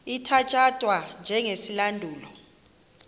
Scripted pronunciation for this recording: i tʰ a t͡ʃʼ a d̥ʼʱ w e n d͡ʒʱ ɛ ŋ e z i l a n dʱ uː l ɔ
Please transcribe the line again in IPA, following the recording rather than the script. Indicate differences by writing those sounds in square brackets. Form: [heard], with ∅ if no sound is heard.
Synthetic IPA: i tʰ a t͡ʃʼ a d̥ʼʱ w [a] n d͡ʒʱ ɛ ŋ e [s] i l a n dʱ uː l ɔ